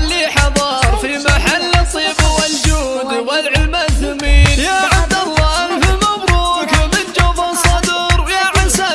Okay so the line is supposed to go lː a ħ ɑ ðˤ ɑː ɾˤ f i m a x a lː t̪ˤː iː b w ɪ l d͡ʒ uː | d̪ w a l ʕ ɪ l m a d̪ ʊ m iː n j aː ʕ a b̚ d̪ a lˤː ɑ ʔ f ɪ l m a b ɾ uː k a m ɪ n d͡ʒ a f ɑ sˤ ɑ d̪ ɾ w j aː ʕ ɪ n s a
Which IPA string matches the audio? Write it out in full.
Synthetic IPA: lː i ħ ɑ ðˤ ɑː ɾˤ f i m a ħ a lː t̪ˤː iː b w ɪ l d͡ʒ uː | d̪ w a l ʕ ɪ l m a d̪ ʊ m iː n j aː ʕ a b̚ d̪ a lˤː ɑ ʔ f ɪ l m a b ɾ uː k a m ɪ n d͡ʒ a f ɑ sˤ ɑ d̪ ɾ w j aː ʕ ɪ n s a